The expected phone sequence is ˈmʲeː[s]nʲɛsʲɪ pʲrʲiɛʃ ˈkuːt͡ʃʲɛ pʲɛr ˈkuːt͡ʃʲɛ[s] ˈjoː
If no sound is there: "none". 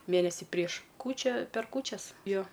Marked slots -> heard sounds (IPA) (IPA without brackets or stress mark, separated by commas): none, s